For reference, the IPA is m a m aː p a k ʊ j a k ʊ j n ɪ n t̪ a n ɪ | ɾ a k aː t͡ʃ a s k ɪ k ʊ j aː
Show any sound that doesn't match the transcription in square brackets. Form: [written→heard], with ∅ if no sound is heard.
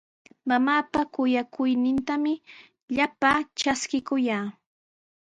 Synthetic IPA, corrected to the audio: m a m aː p a k ʊ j a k ʊ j n ɪ n t̪ a [n→m] ɪ | [ɾ→ʎ] a [k→p] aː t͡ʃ a s k ɪ k ʊ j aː